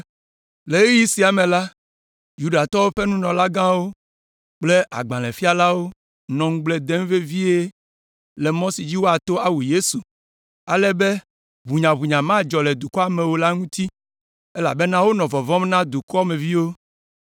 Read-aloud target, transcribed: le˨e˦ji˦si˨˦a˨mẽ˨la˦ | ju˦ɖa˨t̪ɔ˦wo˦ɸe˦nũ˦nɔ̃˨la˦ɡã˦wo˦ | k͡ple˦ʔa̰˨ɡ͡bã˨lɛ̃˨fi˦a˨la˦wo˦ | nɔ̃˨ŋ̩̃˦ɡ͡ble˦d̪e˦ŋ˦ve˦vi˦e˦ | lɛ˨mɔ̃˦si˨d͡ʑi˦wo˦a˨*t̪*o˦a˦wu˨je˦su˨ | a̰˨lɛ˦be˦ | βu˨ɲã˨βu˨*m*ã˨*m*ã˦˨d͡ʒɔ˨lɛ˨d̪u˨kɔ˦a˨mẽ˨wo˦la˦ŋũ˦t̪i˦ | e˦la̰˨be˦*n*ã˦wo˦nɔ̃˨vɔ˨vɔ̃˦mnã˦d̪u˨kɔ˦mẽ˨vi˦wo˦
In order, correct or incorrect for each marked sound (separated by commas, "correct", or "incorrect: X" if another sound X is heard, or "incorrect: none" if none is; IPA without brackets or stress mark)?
correct, incorrect: ɲ, correct, correct